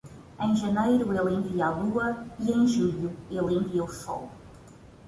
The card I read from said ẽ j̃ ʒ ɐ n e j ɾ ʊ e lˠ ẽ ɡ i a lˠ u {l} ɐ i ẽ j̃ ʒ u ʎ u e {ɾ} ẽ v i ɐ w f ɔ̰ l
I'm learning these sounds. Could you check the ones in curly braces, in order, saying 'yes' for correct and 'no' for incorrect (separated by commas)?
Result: no, no